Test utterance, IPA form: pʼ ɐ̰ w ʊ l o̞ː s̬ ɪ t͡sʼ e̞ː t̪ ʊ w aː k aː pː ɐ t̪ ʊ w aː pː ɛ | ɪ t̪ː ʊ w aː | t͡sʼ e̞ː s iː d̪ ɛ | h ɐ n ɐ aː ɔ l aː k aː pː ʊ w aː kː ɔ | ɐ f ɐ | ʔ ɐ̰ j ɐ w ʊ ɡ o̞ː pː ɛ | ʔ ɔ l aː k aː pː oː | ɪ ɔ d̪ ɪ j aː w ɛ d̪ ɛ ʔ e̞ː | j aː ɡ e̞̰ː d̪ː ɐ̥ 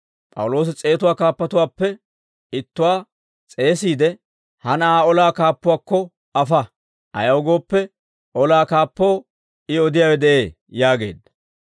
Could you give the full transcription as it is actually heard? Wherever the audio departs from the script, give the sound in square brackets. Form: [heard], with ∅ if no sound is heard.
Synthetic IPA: pʼ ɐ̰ w ʊ l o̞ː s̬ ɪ t͡sʼ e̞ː t̪ ʊ w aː k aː pː ɐ t̪ ʊ w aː pː ɛ | ɪ t̪ː ʊ w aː | t͡sʼ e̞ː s iː d̪ ɛ | h ɐ n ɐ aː ɔ l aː k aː pː ʊ w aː kː ɔ | ɐ f ɐ | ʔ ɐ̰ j ɐ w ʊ ɡ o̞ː pː ɛ | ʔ ɔ l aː k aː pː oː | ɪ ɔ d̪ ɪ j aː w ɛ d̪ ɛ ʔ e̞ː | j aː ɡ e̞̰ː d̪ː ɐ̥